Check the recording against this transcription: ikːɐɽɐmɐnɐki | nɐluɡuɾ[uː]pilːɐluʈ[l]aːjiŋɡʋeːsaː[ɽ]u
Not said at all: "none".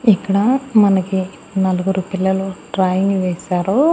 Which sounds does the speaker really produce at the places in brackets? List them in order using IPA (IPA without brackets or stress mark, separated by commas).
u, ɾ, ɾ